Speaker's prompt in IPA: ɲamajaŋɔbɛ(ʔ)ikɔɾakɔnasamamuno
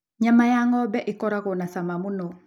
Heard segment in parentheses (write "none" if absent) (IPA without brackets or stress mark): ʔ